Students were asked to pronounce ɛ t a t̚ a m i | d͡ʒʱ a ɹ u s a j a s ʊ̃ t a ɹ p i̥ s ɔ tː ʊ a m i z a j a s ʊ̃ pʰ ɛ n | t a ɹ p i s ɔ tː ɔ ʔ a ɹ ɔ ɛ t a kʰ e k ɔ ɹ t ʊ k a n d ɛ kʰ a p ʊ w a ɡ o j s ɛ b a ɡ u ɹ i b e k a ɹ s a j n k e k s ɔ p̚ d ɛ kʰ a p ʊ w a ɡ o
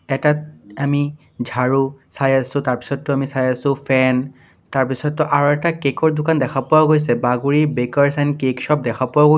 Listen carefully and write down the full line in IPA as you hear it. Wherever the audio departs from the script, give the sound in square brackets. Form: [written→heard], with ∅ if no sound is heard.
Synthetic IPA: ɛ t a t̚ a m i | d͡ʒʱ a ɹ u s a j a s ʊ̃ t a ɹ p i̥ s ɔ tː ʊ a m i [z→s] a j a s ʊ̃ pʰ ɛ n | t a ɹ p i s ɔ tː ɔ ʔ a ɹ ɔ ɛ t a [kʰ→k] e k ɔ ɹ [t→d] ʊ k a n d ɛ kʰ a p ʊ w a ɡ o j s ɛ b a ɡ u ɹ i b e k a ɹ s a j n k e k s ɔ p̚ d ɛ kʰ a p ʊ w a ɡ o